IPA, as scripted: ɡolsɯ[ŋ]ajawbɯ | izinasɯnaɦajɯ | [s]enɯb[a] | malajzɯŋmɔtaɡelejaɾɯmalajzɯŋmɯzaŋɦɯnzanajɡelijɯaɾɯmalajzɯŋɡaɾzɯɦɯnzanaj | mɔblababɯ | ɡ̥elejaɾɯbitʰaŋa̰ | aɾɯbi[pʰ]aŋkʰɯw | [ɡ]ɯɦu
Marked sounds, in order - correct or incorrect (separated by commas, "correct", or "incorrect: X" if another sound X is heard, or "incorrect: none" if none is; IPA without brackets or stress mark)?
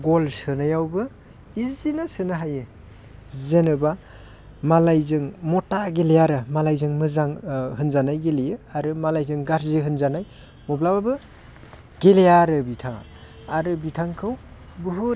incorrect: n, incorrect: z, correct, incorrect: tʰ, incorrect: b